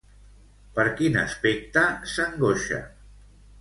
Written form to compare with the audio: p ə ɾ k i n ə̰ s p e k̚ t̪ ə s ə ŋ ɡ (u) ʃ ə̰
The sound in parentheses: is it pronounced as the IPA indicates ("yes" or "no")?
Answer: no